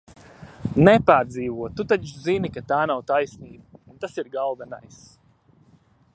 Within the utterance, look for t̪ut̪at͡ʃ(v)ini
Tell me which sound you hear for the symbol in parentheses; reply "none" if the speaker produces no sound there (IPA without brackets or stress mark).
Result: z